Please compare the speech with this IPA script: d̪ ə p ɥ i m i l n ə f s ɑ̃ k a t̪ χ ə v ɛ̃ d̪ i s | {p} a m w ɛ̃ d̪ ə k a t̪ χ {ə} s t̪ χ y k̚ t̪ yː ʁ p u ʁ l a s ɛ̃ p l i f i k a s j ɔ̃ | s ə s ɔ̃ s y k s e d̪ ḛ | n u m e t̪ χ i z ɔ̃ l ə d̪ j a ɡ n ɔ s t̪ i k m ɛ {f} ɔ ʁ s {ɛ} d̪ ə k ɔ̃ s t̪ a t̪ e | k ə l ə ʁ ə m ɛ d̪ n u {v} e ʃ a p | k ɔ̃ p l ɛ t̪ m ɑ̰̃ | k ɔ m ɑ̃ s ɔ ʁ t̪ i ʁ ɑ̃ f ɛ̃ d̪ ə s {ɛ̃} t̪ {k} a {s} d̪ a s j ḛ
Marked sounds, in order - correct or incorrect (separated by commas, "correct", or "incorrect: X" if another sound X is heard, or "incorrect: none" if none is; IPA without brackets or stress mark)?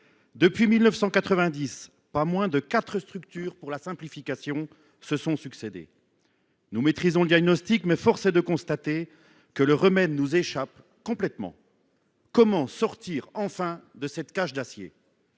correct, correct, correct, incorrect: e, incorrect: z, incorrect: ɛ, correct, incorrect: ʃ